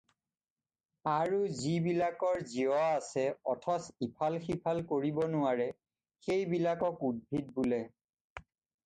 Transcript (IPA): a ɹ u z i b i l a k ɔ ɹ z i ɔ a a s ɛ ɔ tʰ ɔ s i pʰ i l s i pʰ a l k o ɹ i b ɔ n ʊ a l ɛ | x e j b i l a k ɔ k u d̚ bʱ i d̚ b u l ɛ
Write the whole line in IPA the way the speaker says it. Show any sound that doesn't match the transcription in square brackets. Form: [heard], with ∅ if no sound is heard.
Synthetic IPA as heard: a ɹ u z i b i l a k ɔ ɹ z i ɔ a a s ɛ ɔ tʰ ɔ s i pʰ [a] l [x] i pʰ a l k o ɹ i b ɔ n ʊ a [ɹ] ɛ | x e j b i l a k ɔ k u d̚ bʱ i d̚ b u l ɛ